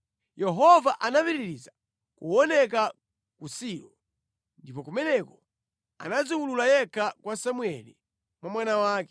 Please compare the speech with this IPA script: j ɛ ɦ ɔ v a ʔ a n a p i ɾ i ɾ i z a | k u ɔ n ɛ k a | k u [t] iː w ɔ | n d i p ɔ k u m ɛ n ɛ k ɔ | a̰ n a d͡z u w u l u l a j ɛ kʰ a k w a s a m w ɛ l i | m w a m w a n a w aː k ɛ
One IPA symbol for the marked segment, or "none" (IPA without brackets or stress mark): s